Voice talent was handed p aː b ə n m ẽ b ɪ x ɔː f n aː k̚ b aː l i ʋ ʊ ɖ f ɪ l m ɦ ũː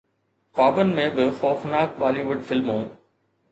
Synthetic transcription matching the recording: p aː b ə n m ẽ b ɪ x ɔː f n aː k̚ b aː l i ʋ ʊ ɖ f ɪ l m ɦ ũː